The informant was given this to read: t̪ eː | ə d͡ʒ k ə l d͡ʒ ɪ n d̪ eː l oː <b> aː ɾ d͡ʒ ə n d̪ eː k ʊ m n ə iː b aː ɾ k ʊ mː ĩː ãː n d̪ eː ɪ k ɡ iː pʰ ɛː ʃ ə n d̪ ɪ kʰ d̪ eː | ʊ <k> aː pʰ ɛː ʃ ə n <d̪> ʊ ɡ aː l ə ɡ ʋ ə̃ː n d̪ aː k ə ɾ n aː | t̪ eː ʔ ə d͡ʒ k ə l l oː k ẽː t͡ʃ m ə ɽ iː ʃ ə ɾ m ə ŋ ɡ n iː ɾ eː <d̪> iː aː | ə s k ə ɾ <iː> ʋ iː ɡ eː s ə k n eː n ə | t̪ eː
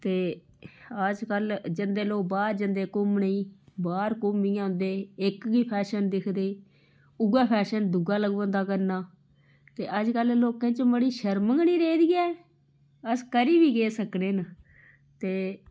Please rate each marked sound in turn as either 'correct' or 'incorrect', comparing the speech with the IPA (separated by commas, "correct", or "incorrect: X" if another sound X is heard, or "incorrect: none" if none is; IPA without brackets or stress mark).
correct, incorrect: ɡ, correct, correct, correct